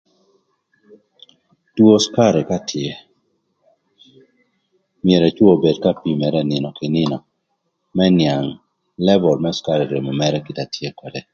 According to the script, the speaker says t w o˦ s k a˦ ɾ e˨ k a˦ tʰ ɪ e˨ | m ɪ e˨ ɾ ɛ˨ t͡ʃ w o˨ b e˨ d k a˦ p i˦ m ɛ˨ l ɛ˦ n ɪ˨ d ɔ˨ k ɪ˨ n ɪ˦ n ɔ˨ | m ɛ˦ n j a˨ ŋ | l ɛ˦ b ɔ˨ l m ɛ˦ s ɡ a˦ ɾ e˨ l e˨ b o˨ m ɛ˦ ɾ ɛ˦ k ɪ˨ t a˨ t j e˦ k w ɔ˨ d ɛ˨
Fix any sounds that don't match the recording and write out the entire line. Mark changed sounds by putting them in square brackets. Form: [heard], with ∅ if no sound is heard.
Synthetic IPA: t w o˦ s k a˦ ɾ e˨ k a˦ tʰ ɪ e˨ | m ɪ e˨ ɾ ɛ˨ t͡ʃ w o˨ b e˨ d k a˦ p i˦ m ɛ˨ [ɾ] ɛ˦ n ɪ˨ [n] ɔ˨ k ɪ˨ n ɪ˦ n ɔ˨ | m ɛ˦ n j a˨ ŋ | l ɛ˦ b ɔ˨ l m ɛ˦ s [k] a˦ ɾ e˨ [ɾ] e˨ [m] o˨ m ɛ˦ ɾ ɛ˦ k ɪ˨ t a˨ t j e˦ k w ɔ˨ d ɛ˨